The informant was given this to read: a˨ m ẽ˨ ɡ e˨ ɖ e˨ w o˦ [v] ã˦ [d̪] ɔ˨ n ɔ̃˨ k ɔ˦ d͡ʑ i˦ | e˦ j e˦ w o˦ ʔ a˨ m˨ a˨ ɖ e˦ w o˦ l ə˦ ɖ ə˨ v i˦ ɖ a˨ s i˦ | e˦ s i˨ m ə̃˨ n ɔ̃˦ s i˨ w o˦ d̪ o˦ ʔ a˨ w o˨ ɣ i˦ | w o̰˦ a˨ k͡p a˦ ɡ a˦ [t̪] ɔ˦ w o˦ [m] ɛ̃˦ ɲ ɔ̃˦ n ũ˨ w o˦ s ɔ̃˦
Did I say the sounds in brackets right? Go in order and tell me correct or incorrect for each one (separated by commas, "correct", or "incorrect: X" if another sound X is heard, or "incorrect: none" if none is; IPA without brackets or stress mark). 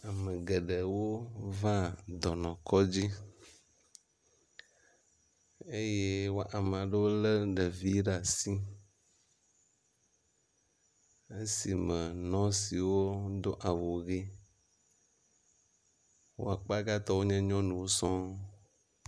correct, correct, correct, incorrect: ɲ